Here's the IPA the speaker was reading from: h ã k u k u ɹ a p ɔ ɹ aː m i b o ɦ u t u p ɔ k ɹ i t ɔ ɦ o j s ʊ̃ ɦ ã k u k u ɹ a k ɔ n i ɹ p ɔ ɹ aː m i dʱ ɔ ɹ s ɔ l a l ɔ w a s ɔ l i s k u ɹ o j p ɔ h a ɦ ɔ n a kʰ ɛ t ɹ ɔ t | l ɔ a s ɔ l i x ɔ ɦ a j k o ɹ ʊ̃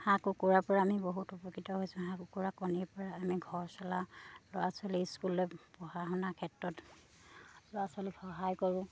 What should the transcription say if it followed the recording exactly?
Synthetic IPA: h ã k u k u ɹ a p ɔ ɹ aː m i b o ɦ u t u p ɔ k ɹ i t ɔ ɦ o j s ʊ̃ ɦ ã k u k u ɹ a k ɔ n i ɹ p ɔ ɹ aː m i ɡʱ ɔ ɹ s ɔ l a l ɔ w a s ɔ l i s k u l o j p ɔ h a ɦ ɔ n a kʰ ɛ t ɹ ɔ t | l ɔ a s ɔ l i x ɔ ɦ a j k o ɹ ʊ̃